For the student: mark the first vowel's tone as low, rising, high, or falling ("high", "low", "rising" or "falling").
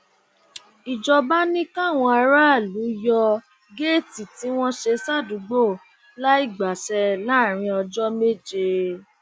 low